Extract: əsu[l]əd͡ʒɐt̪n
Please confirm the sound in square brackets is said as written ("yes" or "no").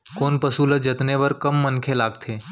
yes